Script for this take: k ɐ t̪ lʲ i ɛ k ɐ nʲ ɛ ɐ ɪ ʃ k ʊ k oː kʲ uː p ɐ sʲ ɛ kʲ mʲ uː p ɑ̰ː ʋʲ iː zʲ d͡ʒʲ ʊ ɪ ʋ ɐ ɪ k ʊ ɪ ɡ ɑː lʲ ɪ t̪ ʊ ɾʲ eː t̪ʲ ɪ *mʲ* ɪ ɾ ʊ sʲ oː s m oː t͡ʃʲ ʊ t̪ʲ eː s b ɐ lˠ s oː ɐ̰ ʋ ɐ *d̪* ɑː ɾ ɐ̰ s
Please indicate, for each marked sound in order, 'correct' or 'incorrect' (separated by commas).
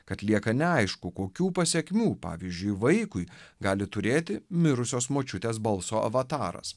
correct, incorrect